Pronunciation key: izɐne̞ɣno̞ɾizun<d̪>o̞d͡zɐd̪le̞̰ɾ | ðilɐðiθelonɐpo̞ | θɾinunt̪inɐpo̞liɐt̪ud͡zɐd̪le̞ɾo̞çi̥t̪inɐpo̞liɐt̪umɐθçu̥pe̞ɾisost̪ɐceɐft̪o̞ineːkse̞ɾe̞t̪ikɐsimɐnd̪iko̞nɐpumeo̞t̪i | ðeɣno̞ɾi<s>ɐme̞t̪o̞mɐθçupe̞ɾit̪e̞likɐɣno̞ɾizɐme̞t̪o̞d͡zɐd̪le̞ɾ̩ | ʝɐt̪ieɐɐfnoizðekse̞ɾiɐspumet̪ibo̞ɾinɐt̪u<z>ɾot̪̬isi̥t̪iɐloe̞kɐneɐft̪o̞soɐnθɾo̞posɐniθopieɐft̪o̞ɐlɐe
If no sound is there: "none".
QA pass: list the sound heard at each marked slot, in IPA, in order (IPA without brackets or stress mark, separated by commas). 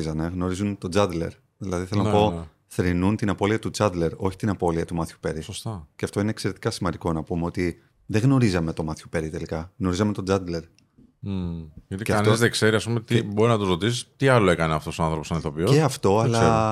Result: t̪, z, z